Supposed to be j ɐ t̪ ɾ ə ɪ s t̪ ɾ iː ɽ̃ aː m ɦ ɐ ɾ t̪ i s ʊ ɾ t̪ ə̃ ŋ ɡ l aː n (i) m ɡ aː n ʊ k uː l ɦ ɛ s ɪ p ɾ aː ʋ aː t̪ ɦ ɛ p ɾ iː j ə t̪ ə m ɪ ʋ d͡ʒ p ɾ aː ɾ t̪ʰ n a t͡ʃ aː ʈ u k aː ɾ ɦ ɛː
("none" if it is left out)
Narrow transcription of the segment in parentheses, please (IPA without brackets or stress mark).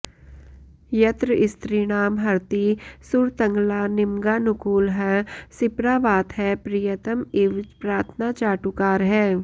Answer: ɪ